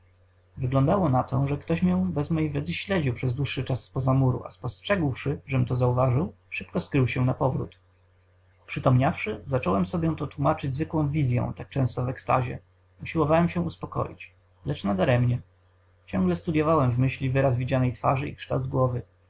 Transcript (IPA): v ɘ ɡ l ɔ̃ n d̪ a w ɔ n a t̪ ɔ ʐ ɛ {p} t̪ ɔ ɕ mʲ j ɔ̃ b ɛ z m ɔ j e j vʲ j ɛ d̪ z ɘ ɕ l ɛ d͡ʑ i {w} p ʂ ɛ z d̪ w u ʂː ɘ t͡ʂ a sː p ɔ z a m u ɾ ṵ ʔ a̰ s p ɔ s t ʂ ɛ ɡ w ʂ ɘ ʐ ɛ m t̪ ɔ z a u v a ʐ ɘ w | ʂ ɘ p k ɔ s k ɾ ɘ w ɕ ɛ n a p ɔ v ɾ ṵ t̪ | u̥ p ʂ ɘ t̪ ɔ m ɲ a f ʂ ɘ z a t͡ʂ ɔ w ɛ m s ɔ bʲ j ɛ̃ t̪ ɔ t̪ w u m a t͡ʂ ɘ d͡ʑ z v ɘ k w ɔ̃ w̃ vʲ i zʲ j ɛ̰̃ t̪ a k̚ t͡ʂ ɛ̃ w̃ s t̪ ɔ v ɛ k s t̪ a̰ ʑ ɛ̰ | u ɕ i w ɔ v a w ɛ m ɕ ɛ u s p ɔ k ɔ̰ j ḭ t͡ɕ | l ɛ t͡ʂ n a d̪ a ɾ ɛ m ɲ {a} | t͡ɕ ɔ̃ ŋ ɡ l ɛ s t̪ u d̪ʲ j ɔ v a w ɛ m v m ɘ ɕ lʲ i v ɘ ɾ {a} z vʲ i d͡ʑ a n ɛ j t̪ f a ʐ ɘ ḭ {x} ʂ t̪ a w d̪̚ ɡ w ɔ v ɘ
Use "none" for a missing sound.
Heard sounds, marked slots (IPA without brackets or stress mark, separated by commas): k, w, ɛ, a, k